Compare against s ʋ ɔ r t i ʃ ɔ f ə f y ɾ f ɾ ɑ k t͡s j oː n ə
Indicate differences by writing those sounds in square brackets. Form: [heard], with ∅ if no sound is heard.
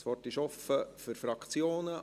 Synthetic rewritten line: s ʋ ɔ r t [ɪ] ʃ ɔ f ə f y ɾ f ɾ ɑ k t͡s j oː n ə